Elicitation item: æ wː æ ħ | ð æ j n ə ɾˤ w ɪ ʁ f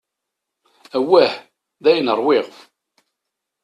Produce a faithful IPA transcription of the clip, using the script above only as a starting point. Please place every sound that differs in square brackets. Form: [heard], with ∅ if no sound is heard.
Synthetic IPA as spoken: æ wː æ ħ | ð æ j n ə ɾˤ w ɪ ʁ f

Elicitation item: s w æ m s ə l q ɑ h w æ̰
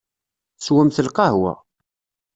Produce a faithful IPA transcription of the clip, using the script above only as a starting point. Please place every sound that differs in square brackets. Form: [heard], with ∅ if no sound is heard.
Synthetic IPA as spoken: s w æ m [θ] ə l q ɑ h w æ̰

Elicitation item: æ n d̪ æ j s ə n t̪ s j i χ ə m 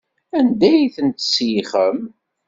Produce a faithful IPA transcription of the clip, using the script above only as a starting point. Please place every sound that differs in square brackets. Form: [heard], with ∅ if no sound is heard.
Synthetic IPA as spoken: æ n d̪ æ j [θ] ə n t̪ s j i χ ə m

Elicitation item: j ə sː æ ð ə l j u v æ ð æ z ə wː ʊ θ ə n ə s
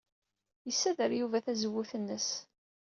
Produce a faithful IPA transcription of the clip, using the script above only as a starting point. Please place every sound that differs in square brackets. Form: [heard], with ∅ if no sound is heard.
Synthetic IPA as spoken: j ə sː æ ð ə [ɾ] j u v æ [θ] æ z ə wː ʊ θ ə [nː] ə s

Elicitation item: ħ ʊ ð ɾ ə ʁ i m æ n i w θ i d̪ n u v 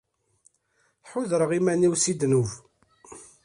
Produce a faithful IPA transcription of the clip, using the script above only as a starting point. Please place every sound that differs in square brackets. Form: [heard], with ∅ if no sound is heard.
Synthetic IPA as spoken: ħ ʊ ð ɾ ə ʁ i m æ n i w [s] i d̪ n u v

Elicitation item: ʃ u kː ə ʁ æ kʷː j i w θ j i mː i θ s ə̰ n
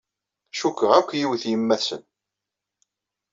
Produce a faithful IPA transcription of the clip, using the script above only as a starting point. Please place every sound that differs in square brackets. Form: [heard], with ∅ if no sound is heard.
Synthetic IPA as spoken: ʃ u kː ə ʁ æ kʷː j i w θ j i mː [æ] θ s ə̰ n

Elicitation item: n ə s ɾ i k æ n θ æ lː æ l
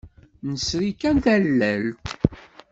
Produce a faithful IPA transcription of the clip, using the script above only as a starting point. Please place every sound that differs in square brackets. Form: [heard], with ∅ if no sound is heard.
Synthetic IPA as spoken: n ə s ɾ i k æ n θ æ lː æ l

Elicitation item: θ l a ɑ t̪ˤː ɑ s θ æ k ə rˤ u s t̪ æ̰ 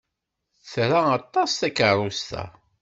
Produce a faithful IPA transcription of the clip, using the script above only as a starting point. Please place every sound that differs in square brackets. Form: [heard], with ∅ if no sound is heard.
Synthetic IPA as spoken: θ [ɾ] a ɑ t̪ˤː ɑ s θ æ k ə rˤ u s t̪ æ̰

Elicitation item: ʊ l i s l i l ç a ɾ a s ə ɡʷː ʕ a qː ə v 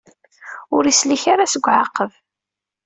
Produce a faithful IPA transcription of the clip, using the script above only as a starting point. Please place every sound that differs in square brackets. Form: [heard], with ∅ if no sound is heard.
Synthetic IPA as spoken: ʊ [ɾ] i s l i [∅] ç a ɾ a s ə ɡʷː ʕ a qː ə v

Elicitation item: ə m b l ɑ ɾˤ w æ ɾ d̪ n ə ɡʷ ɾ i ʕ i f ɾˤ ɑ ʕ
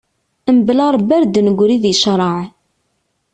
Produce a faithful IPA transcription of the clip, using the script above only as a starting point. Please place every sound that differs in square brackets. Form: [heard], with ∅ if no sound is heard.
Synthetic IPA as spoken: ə m b l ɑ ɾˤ [b] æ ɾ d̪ n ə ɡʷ ɾ i [ð] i [ʃ] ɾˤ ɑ ʕ

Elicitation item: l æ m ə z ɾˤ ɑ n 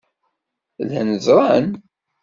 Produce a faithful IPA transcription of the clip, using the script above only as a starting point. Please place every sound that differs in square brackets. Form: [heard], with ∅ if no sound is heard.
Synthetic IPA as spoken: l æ [n] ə z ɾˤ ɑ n

